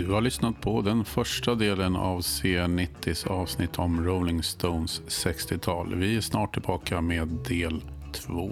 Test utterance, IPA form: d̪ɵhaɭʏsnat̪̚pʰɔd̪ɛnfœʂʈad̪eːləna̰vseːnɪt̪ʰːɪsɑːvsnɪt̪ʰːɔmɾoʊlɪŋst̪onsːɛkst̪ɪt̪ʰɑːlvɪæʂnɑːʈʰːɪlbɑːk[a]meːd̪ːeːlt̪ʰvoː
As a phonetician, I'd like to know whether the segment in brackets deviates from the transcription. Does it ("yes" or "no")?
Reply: no